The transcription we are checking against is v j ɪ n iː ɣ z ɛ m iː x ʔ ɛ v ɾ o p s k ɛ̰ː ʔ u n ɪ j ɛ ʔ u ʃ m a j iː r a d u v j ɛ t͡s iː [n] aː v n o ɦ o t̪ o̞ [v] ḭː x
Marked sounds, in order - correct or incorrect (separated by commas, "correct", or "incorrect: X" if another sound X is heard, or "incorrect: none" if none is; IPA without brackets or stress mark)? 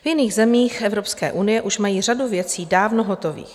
incorrect: d, correct